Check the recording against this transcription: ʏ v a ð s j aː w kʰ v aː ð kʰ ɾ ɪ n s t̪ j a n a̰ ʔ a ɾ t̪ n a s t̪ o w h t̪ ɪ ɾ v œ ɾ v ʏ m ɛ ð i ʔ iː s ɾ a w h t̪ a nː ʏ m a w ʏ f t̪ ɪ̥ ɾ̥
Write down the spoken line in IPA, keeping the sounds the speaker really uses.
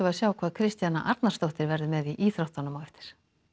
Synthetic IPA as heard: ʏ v a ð s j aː w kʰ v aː ð kʰ ɾ ɪ s t̪ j a n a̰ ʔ a ɾ t̪ n a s t̪ o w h t̪ ɪ ɾ v ɛ ɾ ð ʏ m ɛ ð i ʔ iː θ ɾ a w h t̪ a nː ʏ m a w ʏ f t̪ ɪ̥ ɾ̥